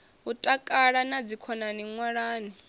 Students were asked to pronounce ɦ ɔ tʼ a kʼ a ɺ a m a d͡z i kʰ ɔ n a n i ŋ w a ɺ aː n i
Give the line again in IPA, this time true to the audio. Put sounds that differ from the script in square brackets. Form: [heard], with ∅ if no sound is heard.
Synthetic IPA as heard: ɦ [u] tʼ a kʼ a ɺ a [n] a d͡z i kʰ ɔ n a n i ŋ w a ɺ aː n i